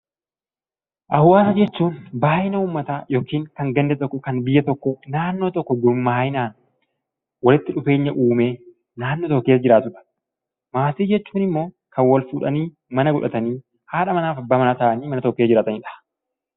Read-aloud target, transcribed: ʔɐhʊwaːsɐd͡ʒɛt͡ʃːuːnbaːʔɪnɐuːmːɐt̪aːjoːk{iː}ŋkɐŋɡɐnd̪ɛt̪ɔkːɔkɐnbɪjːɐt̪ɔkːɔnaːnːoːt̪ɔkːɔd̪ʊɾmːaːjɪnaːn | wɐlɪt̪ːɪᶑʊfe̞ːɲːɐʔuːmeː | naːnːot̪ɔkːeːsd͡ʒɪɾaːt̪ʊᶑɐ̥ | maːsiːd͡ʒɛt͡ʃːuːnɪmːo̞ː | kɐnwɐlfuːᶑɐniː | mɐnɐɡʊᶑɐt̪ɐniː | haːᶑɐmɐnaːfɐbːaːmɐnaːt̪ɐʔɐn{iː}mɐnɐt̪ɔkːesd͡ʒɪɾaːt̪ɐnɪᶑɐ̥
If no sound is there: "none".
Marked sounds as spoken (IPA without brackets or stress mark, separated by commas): iː, iː